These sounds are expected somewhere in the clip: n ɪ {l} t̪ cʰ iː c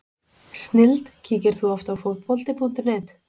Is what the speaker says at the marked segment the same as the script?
yes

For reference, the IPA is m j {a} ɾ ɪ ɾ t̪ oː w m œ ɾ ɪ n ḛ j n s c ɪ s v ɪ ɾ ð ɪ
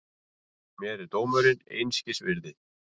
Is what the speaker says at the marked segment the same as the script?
no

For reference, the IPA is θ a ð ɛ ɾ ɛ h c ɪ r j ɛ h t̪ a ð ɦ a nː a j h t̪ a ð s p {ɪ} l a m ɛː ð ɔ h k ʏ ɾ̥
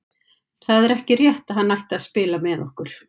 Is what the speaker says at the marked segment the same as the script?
no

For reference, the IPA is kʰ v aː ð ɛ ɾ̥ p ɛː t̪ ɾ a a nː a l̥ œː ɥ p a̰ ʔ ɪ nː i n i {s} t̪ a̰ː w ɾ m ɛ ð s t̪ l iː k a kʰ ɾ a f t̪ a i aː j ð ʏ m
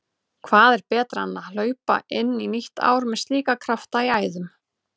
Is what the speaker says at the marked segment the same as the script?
no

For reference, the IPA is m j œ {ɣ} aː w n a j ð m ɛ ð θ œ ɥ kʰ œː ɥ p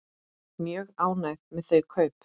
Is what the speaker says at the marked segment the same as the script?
yes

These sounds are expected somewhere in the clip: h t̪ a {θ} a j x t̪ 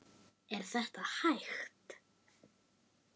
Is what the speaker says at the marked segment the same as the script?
no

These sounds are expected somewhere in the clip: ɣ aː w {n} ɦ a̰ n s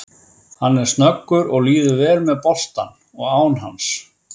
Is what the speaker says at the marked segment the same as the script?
yes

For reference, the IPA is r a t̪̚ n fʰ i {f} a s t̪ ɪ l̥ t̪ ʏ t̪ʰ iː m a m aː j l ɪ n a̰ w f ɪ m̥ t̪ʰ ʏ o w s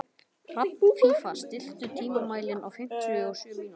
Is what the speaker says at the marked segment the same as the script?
yes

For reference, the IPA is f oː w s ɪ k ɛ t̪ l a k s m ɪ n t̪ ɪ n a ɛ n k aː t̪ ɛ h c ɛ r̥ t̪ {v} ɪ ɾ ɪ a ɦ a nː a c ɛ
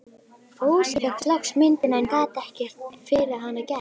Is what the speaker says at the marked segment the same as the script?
no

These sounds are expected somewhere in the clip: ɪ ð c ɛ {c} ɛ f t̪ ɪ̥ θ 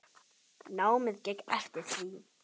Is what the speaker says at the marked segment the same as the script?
no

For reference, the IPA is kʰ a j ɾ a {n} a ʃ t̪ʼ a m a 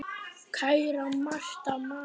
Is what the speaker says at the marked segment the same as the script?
no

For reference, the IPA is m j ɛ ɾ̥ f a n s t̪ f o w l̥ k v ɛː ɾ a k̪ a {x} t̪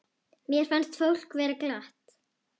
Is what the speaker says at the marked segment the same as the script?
no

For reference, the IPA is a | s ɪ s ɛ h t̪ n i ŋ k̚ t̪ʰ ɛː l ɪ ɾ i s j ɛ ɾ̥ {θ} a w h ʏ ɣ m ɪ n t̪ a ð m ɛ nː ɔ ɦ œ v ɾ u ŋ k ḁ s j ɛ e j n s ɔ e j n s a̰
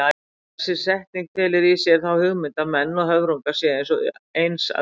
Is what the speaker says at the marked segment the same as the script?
yes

